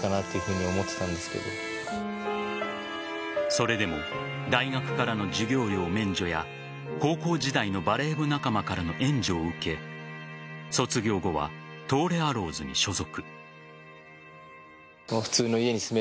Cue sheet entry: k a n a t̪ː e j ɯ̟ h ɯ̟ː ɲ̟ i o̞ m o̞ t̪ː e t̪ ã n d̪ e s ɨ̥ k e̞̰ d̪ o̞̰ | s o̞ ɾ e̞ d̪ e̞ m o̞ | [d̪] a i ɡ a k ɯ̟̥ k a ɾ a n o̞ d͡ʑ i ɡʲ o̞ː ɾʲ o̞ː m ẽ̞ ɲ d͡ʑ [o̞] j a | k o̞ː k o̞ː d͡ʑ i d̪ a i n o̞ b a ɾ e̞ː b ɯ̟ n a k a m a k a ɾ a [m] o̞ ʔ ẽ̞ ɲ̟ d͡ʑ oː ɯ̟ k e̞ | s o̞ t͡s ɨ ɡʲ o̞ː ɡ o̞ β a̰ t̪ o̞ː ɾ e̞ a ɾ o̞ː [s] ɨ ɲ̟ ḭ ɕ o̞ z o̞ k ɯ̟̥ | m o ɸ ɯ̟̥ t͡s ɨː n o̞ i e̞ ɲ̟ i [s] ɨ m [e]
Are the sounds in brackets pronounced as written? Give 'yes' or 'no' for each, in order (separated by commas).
yes, yes, no, no, yes, yes